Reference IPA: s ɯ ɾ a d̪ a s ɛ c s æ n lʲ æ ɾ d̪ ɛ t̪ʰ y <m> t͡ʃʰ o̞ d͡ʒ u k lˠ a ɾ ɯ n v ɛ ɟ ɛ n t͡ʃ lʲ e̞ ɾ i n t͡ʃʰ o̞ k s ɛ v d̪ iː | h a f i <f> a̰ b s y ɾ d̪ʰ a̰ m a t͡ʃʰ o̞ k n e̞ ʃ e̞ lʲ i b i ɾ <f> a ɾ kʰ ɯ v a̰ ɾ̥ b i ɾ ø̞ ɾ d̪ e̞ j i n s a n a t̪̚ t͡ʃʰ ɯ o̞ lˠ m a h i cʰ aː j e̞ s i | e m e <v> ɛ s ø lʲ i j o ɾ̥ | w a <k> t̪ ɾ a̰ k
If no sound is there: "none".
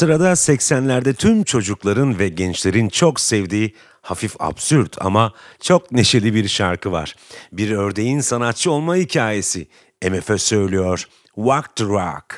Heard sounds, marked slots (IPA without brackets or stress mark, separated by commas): m, f, ʃ, f, k